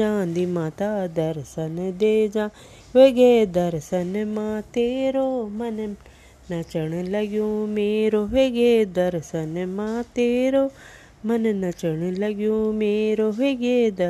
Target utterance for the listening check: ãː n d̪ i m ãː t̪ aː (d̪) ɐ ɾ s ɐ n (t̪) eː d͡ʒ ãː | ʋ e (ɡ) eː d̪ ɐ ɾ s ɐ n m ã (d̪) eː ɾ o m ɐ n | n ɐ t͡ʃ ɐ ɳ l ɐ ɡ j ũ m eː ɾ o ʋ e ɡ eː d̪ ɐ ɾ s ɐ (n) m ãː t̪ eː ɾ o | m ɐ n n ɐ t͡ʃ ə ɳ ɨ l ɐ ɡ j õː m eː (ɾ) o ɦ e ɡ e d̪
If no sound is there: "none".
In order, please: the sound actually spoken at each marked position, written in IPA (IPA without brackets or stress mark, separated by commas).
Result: d̪, d̪, ɡ, t̪, n, ɾ